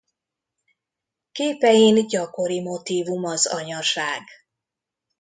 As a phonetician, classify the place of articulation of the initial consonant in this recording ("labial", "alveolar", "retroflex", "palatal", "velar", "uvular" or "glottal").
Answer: velar